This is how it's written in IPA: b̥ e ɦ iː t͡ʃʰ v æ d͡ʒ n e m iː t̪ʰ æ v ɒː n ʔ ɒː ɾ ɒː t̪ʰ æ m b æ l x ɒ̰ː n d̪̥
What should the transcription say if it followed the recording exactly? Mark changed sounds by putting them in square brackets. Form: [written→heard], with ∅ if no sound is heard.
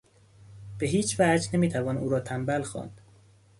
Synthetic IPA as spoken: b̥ e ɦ iː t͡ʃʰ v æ d͡ʒ n e m iː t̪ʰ æ v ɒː n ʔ [ɒː→uː] ɾ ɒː t̪ʰ æ m b æ l x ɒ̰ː n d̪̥